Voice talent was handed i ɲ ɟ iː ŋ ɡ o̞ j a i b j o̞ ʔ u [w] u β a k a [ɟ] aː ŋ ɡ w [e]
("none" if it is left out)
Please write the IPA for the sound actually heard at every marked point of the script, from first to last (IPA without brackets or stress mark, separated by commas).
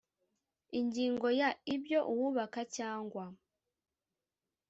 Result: w, c, a